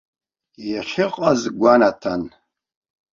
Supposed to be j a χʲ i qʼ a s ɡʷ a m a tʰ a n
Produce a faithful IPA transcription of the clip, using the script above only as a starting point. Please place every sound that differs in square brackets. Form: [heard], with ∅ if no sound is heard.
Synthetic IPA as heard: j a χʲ [ɪ] qʼ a [z] ɡʷ a [n] a tʰ a n